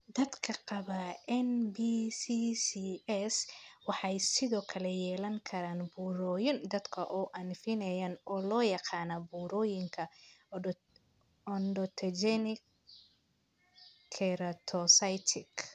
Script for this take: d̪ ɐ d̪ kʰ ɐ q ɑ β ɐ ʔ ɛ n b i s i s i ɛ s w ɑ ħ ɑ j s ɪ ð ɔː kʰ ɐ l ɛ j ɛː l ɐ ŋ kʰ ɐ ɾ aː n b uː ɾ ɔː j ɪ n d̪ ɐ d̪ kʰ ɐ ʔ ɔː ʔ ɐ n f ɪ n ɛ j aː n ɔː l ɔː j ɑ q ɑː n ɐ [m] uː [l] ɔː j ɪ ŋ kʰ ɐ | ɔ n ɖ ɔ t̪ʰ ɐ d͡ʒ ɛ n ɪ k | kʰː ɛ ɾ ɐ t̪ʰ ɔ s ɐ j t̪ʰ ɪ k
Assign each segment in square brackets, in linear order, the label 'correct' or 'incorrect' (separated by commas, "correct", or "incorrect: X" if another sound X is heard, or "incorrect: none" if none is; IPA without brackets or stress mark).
incorrect: b, incorrect: ɾ